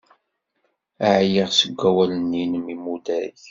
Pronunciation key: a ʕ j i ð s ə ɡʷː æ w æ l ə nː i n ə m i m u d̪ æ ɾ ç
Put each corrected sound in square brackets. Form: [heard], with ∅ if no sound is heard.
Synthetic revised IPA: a ʕ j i [ʁ] s ə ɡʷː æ w æ l ə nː i n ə m i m u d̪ æ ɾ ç